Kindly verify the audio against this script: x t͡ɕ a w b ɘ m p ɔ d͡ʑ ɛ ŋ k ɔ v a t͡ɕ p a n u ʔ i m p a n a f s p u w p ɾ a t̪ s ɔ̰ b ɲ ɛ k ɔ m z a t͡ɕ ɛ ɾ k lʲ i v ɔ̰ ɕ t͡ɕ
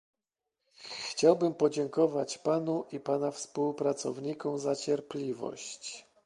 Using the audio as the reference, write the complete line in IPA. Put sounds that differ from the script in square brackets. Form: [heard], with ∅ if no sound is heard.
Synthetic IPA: x t͡ɕ a w b ɘ m p ɔ d͡ʑ ɛ ŋ k ɔ v a t͡ɕ p a n u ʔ i [∅] p a n a f s p u w p ɾ a t̪ s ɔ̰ [v] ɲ [i] k ɔ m z a t͡ɕ ɛ ɾ [p] lʲ i v ɔ̰ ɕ t͡ɕ